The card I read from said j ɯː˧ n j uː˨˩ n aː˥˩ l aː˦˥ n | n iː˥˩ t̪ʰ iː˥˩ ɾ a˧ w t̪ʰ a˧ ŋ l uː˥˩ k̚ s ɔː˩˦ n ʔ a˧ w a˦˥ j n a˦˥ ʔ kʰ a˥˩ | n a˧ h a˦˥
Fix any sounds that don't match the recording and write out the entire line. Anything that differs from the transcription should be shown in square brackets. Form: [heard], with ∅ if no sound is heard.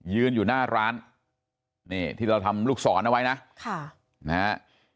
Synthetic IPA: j ɯː˧ n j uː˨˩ n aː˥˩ [ɾ] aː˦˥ n | n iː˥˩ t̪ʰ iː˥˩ ɾ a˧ w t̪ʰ a˧ [m] l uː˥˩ k̚ s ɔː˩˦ n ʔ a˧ w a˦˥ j n a˦˥ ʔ kʰ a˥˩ | n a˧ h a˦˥